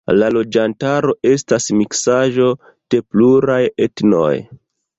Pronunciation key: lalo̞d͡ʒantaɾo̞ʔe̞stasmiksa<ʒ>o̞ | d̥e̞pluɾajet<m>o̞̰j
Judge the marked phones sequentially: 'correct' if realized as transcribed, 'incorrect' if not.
correct, incorrect: n

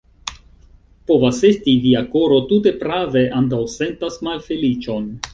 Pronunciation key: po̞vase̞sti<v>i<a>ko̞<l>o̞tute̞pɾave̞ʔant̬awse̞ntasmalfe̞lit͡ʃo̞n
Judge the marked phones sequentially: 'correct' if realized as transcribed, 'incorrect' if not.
correct, correct, incorrect: ɾ

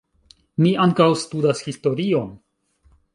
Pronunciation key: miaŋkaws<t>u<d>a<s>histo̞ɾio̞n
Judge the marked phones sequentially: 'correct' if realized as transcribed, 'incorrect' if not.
correct, correct, correct

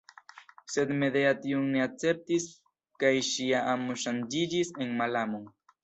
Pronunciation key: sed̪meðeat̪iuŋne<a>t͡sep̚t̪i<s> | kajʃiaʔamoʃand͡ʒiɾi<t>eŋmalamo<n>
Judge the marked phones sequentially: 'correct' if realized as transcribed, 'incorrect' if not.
correct, correct, incorrect: s, incorrect: ŋ

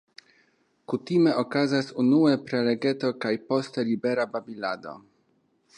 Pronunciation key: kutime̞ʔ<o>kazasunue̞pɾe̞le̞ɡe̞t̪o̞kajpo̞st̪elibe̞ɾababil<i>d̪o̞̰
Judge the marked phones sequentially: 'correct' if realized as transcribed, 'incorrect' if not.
correct, incorrect: a

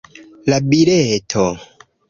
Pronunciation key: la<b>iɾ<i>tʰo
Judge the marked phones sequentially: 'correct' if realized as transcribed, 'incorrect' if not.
correct, incorrect: e

